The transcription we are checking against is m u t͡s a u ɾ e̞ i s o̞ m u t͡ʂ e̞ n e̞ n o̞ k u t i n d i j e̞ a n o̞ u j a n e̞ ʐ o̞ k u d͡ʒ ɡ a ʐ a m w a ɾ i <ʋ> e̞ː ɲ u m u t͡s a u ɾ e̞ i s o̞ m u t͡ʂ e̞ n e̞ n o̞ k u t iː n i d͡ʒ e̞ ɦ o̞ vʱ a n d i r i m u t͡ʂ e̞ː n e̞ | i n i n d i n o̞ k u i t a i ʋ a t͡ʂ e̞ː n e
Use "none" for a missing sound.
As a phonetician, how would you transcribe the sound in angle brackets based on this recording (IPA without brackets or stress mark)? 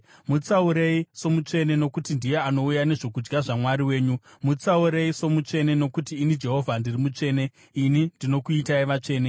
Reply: w